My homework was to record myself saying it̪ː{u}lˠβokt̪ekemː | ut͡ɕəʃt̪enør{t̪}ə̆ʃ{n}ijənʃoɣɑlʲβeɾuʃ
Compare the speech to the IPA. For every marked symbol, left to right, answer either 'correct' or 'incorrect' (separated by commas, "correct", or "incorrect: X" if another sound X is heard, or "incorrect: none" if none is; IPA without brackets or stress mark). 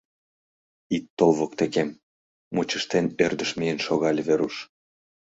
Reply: incorrect: o, incorrect: d̪, incorrect: m